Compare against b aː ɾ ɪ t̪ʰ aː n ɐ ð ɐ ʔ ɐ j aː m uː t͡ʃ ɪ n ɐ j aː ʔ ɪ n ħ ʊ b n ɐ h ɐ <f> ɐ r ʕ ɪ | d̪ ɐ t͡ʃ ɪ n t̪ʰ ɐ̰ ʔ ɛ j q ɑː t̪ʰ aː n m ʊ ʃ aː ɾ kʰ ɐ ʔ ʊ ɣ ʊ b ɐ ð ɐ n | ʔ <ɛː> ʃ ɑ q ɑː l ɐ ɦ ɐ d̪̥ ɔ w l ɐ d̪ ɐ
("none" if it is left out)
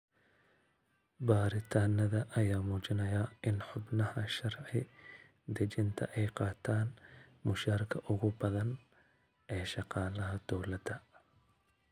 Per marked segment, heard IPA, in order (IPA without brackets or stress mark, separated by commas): ʃ, ɛː